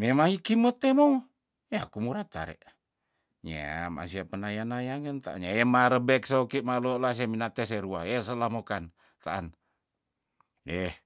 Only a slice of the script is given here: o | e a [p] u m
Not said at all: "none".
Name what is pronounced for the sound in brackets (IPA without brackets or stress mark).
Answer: k